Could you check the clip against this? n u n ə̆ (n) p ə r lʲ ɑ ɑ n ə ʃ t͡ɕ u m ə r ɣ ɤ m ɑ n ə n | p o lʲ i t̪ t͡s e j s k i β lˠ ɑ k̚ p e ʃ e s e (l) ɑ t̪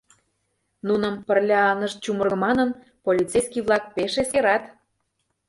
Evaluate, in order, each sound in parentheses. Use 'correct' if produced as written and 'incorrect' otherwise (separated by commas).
incorrect, incorrect